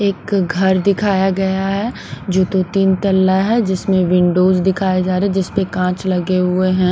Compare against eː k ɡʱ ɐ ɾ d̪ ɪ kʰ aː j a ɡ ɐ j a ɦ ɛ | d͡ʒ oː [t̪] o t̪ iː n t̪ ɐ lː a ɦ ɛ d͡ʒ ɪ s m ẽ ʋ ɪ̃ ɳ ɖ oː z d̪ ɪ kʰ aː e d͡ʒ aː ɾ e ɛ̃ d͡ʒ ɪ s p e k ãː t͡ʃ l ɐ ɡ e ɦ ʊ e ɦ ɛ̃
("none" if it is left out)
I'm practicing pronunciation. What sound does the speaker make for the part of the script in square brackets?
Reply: t̪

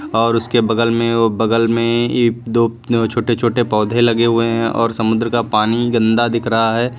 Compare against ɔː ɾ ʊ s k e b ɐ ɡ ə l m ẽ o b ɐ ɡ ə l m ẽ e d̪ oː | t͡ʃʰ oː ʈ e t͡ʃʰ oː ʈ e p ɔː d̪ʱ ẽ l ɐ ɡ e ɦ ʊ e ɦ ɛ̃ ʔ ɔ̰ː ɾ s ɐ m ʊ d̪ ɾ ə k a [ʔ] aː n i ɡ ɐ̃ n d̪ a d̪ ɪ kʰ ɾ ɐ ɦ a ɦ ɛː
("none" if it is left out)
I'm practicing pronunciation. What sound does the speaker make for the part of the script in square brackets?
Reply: p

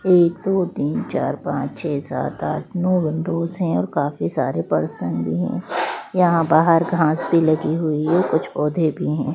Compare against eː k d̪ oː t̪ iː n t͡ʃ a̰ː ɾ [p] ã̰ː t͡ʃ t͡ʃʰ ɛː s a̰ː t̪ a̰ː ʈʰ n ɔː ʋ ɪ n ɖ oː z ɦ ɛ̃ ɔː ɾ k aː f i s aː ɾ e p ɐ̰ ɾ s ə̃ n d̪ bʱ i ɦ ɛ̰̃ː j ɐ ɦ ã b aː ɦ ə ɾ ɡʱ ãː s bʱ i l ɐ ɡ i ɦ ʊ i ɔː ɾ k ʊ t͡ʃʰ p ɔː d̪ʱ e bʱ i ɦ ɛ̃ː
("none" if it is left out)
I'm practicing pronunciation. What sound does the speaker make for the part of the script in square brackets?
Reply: p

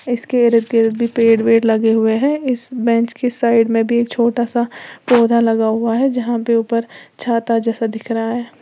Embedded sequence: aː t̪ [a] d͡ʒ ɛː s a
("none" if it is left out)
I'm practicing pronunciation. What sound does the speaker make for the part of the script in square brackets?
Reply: a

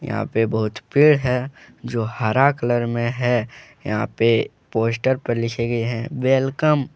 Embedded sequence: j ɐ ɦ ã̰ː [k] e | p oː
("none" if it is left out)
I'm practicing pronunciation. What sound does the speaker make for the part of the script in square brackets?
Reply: p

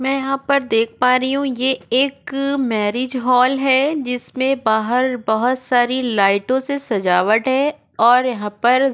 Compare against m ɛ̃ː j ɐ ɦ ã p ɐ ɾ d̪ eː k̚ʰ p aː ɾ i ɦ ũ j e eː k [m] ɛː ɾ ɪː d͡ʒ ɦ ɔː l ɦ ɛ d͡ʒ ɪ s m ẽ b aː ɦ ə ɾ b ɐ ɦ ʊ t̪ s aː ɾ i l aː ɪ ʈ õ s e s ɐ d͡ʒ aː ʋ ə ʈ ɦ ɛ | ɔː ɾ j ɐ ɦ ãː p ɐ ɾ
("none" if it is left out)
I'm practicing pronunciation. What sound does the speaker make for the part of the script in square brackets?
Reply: m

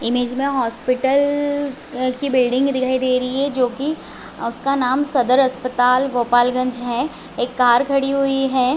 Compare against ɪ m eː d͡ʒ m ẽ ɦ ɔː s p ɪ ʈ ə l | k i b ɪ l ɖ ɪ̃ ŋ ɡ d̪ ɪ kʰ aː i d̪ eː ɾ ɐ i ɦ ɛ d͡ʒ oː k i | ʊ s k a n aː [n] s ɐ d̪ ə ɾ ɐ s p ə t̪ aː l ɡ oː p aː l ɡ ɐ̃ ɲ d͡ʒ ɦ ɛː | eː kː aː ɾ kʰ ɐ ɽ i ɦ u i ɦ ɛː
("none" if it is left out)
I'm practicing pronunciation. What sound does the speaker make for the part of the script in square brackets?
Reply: m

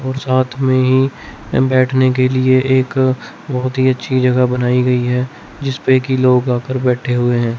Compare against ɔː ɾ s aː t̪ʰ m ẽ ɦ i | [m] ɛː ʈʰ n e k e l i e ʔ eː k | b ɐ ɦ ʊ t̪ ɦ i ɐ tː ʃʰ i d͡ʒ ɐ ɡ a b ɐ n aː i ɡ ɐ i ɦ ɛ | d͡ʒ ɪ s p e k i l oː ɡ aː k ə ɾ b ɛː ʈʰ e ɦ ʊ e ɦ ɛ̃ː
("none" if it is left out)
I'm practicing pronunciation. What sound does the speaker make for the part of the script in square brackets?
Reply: b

